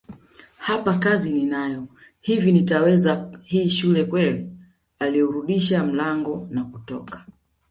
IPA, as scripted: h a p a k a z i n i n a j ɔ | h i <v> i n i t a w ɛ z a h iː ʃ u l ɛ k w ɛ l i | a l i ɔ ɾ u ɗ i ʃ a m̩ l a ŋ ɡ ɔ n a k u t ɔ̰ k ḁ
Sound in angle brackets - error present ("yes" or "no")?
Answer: no